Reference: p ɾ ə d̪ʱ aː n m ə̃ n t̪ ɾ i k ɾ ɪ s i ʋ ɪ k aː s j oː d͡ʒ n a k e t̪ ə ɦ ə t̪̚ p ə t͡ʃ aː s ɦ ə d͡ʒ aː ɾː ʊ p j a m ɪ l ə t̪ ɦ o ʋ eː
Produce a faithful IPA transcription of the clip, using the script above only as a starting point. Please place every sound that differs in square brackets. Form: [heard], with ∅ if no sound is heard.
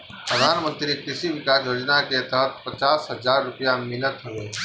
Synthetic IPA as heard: p ɾ ə d̪ʱ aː n m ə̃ n t̪ ɾ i k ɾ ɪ s i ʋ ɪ k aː s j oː d͡ʒ n a k e t̪ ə ɦ ə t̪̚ p ə t͡ʃ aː s ɦ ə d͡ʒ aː ɾː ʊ p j a m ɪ l ə t̪ ɦ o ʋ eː